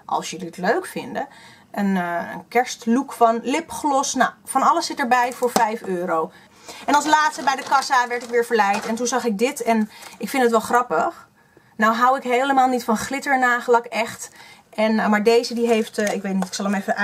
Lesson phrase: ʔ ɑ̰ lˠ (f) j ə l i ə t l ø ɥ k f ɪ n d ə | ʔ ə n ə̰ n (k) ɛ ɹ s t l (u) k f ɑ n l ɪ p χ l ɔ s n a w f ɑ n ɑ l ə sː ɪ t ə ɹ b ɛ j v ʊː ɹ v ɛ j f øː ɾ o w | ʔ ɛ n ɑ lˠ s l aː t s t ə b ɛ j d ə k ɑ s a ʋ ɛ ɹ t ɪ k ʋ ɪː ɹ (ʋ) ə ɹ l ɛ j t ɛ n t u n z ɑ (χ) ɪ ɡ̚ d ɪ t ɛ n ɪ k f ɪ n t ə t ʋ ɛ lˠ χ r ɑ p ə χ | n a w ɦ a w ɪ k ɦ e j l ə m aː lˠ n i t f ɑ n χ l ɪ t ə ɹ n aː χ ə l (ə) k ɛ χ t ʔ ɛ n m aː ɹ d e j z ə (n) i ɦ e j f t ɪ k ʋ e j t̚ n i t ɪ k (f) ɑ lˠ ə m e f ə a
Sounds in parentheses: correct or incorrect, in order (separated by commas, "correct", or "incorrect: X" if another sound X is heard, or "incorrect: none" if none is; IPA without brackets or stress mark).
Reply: incorrect: s, correct, correct, incorrect: v, correct, incorrect: ɑ, incorrect: d, incorrect: s